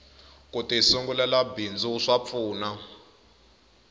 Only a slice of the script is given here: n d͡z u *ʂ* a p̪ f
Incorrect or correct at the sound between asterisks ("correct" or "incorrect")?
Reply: correct